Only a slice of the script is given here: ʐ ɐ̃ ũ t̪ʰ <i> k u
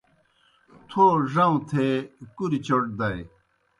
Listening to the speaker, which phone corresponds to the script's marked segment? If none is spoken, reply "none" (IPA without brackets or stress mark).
e